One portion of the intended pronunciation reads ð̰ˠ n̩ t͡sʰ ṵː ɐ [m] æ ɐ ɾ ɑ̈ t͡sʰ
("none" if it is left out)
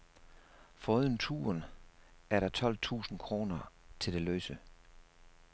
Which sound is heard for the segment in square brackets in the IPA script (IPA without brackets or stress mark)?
n